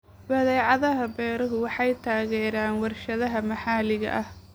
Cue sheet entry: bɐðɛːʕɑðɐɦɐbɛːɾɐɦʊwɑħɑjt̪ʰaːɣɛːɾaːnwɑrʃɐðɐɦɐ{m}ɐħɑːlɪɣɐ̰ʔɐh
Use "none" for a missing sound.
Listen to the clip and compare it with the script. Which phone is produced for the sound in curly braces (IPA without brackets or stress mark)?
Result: m